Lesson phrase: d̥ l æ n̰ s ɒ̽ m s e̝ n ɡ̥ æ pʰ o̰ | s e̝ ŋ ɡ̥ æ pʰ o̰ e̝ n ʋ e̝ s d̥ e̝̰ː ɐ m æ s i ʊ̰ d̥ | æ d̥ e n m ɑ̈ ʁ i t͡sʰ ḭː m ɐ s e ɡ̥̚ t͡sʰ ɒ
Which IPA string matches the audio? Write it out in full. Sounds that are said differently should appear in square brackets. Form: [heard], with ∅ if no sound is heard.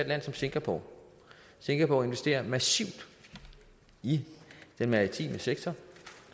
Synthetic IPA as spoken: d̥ l æ n̰ s ɒ̽ m s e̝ [ŋ] ɡ̥ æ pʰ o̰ | s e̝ ŋ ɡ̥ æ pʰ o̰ e̝ n ʋ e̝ s d̥ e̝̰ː ɐ m æ s i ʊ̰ d̥ | [i] d̥ e n m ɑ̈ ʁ i t͡sʰ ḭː m [ə] s e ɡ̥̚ t͡sʰ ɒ